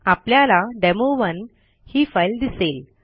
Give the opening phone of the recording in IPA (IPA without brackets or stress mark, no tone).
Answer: a